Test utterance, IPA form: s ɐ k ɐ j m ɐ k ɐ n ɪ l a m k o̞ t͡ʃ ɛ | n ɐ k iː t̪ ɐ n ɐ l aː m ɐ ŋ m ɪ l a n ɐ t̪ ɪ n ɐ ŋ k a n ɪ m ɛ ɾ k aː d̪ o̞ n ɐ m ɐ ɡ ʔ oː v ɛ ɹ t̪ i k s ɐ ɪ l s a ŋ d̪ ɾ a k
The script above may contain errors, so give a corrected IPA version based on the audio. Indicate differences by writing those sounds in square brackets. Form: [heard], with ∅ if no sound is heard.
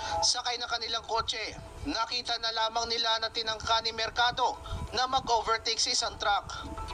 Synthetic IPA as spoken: s ɐ k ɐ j [n] ɐ k ɐ n ɪ l a [ŋ] k o̞ t͡ʃ ɛ | n ɐ k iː t̪ ɐ n ɐ l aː m ɐ ŋ [n] ɪ l a n ɐ t̪ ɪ n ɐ ŋ k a n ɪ m ɛ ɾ k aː d̪ o̞ n ɐ m ɐ ɡ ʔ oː v ɛ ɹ t̪ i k s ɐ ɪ [∅] s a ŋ [t̪] ɾ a k